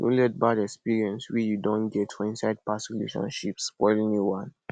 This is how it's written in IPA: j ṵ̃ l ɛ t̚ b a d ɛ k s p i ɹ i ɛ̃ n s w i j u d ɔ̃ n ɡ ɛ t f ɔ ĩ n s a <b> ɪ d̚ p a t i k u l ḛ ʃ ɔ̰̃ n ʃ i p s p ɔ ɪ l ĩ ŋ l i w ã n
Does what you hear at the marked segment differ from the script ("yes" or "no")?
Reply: yes